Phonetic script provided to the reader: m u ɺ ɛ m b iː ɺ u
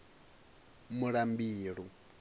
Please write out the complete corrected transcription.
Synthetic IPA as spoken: m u ɺ a m b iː ɺ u